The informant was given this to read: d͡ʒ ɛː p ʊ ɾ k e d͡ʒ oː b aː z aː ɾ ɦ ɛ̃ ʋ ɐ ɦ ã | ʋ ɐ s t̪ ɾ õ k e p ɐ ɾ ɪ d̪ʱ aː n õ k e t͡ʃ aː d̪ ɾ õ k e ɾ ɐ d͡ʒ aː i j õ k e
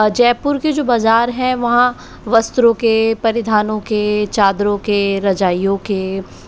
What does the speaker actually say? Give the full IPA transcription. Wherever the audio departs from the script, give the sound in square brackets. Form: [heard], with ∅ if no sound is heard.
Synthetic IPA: d͡ʒ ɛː p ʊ ɾ k e d͡ʒ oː b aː z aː ɾ ɦ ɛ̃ ʋ ɐ ɦ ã | ʋ ɐ s t̪ ɾ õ k e p ɐ ɾ ɪ d̪ʱ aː n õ k e t͡ʃ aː d̪ ɾ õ k e ɾ ɐ d͡ʒ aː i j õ k e

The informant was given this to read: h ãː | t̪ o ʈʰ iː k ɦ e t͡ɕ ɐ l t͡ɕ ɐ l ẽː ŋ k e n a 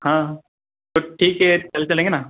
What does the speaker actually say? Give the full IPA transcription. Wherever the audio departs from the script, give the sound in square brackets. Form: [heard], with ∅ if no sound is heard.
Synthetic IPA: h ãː | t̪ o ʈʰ iː k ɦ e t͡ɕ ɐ l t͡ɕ ɐ l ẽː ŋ [ɡ] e n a

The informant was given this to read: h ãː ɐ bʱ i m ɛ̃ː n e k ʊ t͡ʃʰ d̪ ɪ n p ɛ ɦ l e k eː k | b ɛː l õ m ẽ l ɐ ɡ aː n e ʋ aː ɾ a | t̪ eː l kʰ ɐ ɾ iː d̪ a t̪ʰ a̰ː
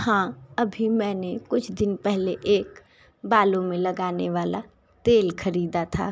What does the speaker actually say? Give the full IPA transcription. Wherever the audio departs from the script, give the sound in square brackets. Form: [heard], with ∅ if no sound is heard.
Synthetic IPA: h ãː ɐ bʱ i m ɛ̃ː n e k ʊ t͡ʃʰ d̪ ɪ n p ɛ ɦ l e [ʔ] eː k | b [aː] l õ m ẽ l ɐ ɡ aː n e ʋ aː [l] a | t̪ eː l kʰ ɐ ɾ iː d̪ a t̪ʰ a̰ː

